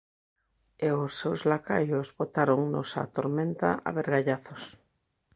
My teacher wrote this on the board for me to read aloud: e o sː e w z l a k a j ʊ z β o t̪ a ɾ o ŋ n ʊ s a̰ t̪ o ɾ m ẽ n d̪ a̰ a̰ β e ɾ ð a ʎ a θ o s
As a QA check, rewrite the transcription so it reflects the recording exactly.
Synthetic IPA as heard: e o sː e w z l a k a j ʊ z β o t̪ a ɾ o ŋ n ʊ s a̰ t̪ o ɾ m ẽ n t̪ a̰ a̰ β e ɾ ɣ a ʎ a θ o s